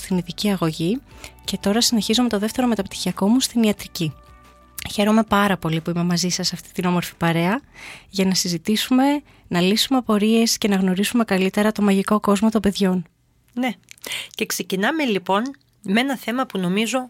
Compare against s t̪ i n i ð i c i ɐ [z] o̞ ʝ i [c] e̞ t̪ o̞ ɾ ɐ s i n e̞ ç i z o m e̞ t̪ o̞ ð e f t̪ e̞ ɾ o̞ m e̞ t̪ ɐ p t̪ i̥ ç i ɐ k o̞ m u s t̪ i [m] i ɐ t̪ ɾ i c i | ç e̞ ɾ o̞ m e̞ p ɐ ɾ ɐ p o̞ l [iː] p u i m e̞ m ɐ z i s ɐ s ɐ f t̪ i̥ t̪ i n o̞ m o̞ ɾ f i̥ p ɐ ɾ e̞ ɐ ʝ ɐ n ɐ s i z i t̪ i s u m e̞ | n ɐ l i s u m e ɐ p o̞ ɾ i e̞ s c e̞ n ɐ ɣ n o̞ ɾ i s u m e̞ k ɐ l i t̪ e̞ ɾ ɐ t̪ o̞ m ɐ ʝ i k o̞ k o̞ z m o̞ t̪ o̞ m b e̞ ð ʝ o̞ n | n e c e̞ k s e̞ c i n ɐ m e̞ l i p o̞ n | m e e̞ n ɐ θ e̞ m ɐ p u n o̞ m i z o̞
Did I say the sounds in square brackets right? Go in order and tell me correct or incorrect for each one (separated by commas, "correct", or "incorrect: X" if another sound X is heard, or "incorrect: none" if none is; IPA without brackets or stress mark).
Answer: incorrect: ɣ, correct, incorrect: n, incorrect: i